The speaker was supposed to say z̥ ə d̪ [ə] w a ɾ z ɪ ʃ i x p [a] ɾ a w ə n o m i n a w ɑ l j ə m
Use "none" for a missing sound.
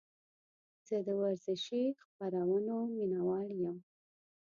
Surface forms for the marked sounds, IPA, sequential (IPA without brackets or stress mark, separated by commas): ə, a